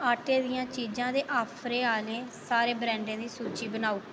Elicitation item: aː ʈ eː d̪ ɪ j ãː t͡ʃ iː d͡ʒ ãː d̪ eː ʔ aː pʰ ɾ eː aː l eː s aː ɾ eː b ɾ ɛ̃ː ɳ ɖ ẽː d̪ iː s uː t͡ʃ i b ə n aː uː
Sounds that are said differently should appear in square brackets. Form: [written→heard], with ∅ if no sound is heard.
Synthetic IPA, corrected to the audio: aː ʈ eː d̪ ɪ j ãː t͡ʃ iː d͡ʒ ãː d̪ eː ʔ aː pʰ ɾ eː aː l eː s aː ɾ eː b ɾ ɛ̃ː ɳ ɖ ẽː d̪ iː s uː t͡ʃ [i→iː] b ə n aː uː